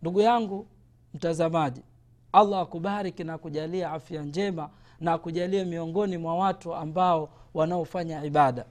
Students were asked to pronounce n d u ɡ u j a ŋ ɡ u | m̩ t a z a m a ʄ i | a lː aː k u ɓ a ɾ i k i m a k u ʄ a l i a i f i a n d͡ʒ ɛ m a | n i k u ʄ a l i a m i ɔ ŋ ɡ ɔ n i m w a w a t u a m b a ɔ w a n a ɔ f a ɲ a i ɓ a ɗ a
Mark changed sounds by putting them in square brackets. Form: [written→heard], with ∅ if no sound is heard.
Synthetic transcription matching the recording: n d u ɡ u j a ŋ ɡ u | m̩ t a z a m a ʄ i | a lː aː k u ɓ a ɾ i k i [m→n] a k u ʄ a l i a [i→a] f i a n d͡ʒ ɛ m a | n [i→a] k u ʄ a l i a m i ɔ ŋ ɡ ɔ n i m w a w a t u a m b a ɔ w a n a ɔ f a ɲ a i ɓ a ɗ a